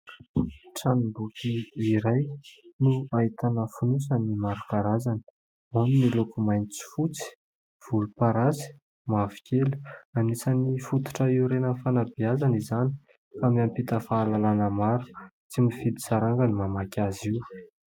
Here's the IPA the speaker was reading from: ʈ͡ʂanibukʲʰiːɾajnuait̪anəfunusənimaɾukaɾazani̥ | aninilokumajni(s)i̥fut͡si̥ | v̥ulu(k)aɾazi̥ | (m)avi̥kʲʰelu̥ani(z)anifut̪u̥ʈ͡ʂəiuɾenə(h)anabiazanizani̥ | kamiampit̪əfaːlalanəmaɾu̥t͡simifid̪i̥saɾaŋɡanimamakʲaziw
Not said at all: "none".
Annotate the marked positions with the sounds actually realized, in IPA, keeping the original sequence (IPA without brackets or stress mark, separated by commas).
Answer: t͡s, p, m, s, f